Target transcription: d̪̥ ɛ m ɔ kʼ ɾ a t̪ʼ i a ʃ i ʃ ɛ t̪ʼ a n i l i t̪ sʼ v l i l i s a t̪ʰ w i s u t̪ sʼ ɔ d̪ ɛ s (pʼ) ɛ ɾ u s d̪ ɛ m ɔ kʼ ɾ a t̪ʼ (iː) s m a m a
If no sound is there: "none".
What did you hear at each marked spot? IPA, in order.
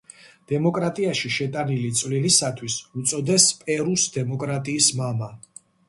pʼ, iː

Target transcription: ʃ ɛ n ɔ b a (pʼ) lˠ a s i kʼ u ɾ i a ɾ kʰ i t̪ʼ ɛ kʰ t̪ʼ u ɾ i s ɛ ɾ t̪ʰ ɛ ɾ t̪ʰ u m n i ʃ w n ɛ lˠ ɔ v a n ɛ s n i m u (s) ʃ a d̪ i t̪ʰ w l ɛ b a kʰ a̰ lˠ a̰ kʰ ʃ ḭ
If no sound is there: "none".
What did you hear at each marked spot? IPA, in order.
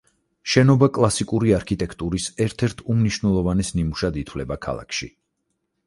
kʼ, none

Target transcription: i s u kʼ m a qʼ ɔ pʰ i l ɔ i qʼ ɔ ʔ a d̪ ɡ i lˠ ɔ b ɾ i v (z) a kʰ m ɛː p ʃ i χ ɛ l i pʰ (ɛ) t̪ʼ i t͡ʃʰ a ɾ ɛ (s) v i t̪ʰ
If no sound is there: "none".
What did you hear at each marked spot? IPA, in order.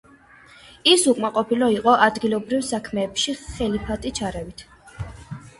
s, a, none

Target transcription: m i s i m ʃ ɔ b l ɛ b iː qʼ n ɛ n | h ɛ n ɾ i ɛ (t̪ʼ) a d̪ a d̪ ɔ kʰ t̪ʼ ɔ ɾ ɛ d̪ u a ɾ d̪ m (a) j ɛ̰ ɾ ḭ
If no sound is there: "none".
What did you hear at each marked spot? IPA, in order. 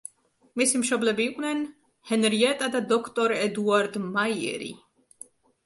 t̪ʼ, a

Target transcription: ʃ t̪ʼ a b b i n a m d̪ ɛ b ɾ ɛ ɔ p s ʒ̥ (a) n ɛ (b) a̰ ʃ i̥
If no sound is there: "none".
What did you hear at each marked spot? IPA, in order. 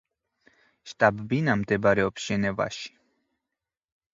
ɛ, v

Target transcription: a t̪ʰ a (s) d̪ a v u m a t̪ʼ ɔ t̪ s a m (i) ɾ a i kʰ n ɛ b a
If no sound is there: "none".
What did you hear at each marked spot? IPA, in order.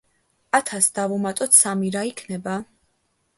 s, i

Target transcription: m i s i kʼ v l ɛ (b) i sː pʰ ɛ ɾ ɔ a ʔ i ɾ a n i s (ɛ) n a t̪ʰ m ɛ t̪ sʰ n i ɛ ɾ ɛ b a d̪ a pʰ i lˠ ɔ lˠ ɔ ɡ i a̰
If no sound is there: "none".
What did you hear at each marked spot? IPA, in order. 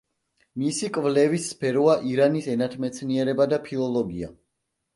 v, ɛ

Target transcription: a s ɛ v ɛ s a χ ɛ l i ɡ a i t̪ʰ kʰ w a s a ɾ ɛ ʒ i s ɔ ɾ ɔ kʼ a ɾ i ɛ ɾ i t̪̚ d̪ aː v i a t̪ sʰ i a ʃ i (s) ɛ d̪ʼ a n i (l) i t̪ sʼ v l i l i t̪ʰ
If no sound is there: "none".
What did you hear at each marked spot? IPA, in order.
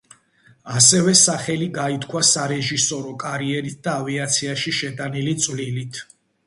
ʃ, l

